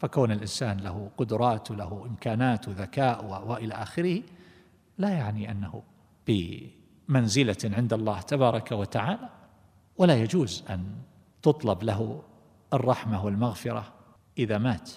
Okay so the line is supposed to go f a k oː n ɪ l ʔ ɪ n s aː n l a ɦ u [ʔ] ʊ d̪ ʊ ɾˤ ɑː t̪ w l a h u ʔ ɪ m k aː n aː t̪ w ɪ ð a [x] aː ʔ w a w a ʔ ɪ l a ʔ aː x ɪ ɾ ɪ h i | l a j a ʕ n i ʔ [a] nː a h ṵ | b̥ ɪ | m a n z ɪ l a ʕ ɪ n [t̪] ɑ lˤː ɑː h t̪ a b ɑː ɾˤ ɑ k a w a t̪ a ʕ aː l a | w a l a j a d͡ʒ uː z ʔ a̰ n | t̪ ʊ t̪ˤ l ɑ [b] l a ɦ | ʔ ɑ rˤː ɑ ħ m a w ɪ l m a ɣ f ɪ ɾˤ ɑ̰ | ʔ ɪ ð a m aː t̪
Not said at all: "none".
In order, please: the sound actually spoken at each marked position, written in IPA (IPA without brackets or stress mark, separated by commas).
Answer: q, k, a, d̪, b